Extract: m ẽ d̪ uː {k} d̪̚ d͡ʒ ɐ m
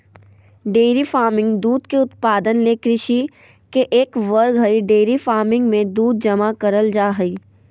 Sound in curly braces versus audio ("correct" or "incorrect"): incorrect